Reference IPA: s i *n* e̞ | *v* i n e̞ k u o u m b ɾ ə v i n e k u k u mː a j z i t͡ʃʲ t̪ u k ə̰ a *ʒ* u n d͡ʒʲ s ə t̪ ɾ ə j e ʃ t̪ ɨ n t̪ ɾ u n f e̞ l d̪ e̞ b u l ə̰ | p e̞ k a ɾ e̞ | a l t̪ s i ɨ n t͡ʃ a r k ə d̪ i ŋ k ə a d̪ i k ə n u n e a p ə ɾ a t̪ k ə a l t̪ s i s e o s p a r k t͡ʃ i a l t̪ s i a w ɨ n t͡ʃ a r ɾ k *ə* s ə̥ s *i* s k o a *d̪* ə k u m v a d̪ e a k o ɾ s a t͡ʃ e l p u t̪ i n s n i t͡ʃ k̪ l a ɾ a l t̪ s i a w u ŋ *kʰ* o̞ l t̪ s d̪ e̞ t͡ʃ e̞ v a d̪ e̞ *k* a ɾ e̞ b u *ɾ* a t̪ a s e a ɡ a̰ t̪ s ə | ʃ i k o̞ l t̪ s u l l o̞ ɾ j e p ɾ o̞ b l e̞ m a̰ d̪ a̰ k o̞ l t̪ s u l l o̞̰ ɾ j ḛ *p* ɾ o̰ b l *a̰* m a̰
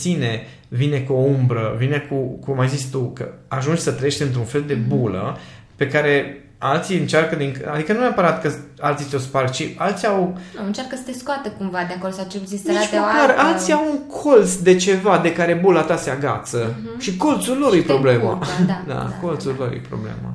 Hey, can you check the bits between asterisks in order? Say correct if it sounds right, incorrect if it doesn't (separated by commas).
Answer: correct, correct, correct, correct, incorrect, incorrect, correct, correct, incorrect, correct, incorrect